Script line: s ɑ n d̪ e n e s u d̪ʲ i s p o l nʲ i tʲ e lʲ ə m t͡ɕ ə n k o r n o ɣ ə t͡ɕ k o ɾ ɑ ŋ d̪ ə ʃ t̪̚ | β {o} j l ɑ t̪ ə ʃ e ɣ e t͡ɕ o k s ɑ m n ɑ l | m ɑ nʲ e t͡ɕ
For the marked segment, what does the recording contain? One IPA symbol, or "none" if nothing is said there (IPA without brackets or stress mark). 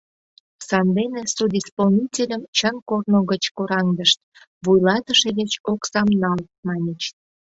u